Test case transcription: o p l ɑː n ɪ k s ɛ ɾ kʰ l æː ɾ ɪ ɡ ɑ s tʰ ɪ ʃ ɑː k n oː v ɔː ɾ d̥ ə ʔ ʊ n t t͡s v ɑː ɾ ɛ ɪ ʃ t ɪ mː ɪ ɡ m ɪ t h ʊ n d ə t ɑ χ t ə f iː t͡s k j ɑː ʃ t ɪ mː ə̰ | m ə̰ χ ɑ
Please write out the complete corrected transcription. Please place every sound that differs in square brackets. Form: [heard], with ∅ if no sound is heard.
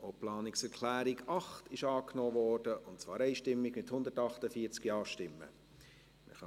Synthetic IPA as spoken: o p l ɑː n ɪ k s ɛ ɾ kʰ l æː ɾ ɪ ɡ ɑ [χ] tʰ ɪ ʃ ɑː k n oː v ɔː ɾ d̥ ə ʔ ʊ n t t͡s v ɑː ɾ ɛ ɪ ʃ t ɪ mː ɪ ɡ m ɪ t h ʊ n d ə t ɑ χ t ə f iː t͡s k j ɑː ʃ t ɪ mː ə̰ | m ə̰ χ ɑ